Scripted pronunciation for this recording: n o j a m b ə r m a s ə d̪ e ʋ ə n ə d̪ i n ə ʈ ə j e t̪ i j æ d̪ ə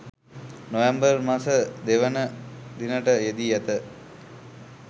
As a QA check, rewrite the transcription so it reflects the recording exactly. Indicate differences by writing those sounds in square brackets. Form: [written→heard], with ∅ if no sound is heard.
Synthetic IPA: n o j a m b ə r m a s ə d̪ e ʋ ə n ə d̪ i n ə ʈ ə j e [t̪→d̪] i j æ [d̪→t̪] ə